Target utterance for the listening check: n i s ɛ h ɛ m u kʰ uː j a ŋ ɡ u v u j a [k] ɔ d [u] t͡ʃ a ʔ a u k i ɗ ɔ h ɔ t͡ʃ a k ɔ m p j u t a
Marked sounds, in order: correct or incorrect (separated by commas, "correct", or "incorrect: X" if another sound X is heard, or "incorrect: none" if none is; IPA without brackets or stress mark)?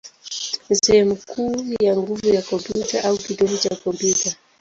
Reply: correct, correct